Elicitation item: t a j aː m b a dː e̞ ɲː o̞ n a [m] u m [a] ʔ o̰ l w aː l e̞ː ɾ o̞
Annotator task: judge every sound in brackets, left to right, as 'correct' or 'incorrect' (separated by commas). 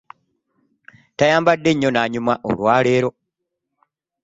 incorrect, correct